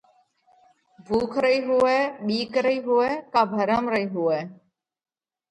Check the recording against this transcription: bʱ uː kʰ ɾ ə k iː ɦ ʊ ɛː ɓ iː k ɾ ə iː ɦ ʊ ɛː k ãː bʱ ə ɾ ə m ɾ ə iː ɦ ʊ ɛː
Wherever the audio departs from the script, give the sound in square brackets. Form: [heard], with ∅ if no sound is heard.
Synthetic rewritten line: bʱ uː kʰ ɾ ə [∅] iː ɦ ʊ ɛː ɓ iː k ɾ ə iː ɦ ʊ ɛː k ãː bʱ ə ɾ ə m ɾ ə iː ɦ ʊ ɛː